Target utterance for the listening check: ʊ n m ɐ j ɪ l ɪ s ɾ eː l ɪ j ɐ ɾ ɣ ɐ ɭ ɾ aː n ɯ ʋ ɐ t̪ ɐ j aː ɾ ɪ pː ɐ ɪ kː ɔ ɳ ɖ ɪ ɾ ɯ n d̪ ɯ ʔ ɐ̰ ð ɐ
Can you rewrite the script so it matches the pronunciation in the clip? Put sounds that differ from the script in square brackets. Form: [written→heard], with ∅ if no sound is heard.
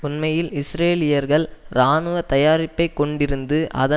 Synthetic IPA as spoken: ʊ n m ɐ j ɪ l ɪ s ɾ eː l ɪ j ɐ ɾ ɣ ɐ ɭ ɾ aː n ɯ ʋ ɐ t̪ ɐ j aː ɾ ɪ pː ɐ ɪ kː ɔ ɳ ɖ ɪ ɾ ɯ n d̪ ɯ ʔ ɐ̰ ð ɐ

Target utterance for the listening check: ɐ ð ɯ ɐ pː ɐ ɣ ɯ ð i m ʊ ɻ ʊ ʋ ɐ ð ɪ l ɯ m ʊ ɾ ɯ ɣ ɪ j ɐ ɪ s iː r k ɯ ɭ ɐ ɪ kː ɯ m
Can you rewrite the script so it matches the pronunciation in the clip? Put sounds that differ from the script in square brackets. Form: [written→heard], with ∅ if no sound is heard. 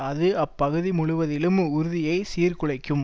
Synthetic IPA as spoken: ɐ ð ɯ ɐ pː ɐ ɣ ɯ ð i m ʊ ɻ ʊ ʋ ɐ ð ɪ l ɯ m ʊ ɾ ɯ [ɣ→ð] ɪ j ɐ ɪ s iː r k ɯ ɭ ɐ ɪ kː ɯ m

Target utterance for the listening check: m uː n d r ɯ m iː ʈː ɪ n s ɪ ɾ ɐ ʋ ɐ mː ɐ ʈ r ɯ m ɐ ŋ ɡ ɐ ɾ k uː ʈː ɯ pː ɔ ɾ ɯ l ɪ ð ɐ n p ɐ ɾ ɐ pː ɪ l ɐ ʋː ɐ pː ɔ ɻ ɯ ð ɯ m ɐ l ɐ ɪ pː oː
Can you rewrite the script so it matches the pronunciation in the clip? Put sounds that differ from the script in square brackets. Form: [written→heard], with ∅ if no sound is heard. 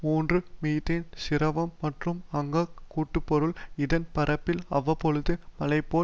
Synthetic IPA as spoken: m uː n d r ɯ m iː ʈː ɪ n s ɪ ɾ ɐ ʋ ɐ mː ɐ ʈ r ɯ m ɐ ŋ ɡ ɐ [ɾ→∅] k uː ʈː ɯ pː ɔ ɾ ɯ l ɪ ð ɐ n p ɐ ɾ ɐ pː ɪ l ɐ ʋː ɐ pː ɔ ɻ ɯ ð ɯ m ɐ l ɐ ɪ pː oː

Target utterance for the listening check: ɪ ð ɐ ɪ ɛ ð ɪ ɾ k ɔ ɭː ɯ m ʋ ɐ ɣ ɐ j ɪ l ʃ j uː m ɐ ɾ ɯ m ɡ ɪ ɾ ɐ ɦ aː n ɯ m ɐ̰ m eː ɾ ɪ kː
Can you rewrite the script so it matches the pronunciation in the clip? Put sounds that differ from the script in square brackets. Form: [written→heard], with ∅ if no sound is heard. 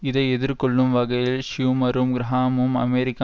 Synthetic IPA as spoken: ɪ ð ɐ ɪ ɛ ð ɪ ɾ k ɔ ɭː ɯ m ʋ ɐ ɣ ɐ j ɪ l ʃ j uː m ɐ ɾ ɯ m ɡ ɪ ɾ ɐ ɦ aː [n→m] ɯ m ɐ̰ m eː ɾ ɪ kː

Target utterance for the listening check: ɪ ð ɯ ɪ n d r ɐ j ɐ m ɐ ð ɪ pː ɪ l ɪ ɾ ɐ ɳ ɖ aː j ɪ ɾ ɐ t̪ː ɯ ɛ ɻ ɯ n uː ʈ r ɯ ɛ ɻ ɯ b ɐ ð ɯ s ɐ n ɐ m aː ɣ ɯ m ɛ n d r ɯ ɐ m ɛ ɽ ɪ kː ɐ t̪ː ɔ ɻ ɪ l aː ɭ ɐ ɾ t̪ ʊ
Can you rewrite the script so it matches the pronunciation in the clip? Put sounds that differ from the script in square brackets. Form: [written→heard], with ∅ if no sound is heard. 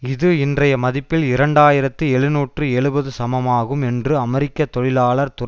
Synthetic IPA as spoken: ɪ ð ɯ ɪ n d r ɐ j ɐ m ɐ ð ɪ pː ɪ l ɪ ɾ ɐ ɳ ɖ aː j ɪ ɾ ɐ t̪ː ɯ ɛ ɻ ɯ n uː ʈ r ɯ ɛ ɻ ɯ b ɐ ð ɯ s ɐ [n→m] ɐ m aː ɣ ɯ m ɛ n d r ɯ ɐ m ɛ [ɽ→ɾ] ɪ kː ɐ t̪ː ɔ ɻ ɪ l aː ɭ ɐ ɾ t̪ ʊ

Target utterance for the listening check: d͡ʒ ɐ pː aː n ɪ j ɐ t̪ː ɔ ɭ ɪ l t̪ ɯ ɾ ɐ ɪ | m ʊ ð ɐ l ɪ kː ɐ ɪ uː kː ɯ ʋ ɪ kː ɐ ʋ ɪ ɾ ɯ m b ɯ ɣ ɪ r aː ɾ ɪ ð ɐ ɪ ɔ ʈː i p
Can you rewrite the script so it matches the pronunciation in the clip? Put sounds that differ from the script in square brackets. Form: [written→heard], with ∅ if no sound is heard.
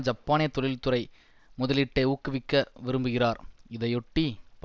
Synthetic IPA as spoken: d͡ʒ ɐ pː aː n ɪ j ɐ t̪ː ɔ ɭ ɪ l t̪ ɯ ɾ ɐ ɪ | m ʊ ð ɐ l ɪ [kː→ʈː] ɐ ɪ uː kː ɯ ʋ ɪ kː ɐ ʋ ɪ ɾ ɯ m b ɯ ɣ ɪ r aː ɾ ɪ ð ɐ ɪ ɔ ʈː i p

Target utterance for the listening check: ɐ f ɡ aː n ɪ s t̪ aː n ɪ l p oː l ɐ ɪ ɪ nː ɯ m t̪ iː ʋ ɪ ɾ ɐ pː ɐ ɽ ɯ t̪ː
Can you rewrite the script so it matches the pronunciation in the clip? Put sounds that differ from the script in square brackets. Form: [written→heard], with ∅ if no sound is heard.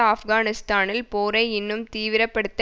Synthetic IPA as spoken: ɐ f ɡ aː n ɪ s t̪ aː n ɪ l p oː [l→ɾ] ɐ ɪ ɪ nː ɯ m t̪ iː ʋ ɪ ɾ ɐ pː ɐ ɽ ɯ t̪ː

